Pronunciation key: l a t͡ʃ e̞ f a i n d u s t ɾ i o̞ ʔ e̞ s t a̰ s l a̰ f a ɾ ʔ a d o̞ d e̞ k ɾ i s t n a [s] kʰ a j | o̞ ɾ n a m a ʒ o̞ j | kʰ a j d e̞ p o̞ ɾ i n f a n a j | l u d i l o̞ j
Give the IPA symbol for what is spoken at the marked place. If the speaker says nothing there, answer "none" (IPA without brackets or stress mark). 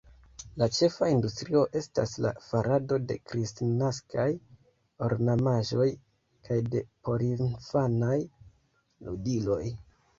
s